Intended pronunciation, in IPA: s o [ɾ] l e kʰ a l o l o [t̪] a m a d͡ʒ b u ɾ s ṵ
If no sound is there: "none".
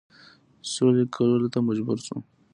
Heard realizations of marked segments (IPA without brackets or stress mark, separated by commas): none, t̪